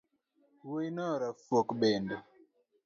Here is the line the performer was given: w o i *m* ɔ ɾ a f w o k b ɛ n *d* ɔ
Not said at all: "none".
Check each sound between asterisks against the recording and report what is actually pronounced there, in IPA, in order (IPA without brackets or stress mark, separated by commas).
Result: n, d